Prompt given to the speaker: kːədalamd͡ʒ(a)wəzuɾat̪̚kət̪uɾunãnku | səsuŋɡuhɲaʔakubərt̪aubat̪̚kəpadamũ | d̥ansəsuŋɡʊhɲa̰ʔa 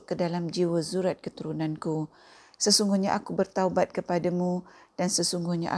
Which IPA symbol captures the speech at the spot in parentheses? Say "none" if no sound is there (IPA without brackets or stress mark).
i